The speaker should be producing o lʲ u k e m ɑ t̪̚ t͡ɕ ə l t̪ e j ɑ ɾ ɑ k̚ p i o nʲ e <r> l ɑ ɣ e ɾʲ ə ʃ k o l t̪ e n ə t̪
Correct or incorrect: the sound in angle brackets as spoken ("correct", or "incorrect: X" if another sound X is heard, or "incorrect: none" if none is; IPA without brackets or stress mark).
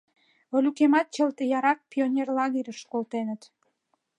correct